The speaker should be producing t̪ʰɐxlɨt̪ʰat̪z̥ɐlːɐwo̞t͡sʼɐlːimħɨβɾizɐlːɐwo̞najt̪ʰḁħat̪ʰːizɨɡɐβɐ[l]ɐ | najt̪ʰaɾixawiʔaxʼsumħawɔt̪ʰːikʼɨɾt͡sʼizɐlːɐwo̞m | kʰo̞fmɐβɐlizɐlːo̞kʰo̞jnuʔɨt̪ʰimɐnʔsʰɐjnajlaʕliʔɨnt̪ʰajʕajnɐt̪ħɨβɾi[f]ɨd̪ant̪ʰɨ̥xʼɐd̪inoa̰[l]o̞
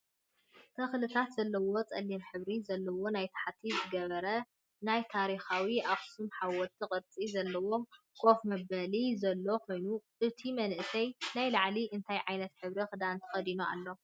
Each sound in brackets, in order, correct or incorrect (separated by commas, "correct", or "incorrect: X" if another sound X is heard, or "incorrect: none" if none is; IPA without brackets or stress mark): incorrect: ɾ, incorrect: x, incorrect: lː